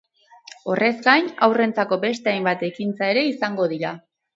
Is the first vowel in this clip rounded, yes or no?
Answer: yes